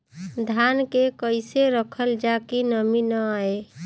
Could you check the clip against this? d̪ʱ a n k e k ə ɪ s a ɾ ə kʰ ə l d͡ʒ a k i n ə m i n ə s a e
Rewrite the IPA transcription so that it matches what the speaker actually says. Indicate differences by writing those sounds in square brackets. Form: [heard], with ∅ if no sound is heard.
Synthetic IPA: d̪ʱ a n k e k ə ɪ s [e] ɾ ə kʰ ə l d͡ʒ a k i n ə m i n ə [∅] a e